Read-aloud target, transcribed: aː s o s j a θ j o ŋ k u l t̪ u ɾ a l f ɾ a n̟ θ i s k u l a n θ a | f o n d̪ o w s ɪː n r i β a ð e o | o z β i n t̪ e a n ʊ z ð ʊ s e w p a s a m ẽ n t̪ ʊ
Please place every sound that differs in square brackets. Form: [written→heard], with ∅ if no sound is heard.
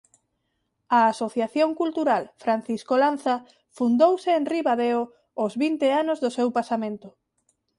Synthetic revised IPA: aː s o [s→θ] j a θ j o ŋ k u l t̪ u ɾ a l f ɾ a n̟ θ i s k [u→o] l a n θ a | f [o→u] n d̪ o w s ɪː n r i β a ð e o | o z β i n t̪ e a n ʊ z ð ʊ s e w p a s a m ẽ n t̪ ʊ